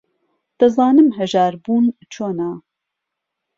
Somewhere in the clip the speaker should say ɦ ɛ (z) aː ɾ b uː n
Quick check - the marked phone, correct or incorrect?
incorrect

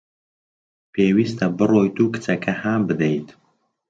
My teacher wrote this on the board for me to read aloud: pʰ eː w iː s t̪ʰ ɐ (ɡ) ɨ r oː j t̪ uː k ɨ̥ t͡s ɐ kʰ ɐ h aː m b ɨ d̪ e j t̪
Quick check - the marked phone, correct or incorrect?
incorrect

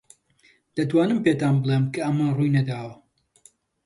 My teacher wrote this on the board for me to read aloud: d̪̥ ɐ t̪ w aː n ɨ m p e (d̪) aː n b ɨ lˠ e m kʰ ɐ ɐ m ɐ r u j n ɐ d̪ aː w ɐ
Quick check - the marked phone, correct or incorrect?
incorrect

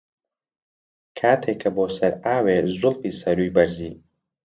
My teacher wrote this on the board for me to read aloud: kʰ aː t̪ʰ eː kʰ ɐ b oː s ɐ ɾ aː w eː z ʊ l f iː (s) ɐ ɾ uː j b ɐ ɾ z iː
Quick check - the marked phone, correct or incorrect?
correct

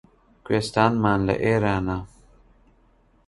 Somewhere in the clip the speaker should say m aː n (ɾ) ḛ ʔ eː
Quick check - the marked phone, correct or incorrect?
incorrect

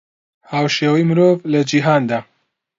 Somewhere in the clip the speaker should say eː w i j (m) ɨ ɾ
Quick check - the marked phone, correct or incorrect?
correct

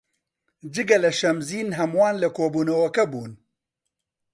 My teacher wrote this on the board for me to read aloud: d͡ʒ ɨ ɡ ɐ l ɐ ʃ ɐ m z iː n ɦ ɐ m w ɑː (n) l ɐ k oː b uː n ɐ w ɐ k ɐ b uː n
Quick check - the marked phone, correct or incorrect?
correct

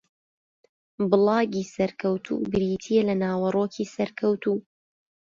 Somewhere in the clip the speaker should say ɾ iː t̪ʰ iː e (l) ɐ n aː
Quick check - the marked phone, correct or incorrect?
correct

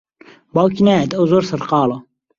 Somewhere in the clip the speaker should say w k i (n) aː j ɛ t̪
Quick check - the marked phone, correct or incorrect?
correct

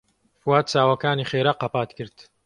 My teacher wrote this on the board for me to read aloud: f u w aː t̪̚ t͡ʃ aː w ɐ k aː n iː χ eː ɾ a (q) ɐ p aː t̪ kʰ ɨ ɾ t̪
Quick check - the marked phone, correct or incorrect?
correct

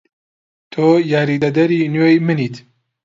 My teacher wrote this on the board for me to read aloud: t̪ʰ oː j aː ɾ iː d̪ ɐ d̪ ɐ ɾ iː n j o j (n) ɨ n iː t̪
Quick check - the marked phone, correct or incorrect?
incorrect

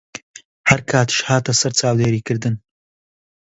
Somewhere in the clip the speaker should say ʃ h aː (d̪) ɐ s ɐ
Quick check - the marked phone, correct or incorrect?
incorrect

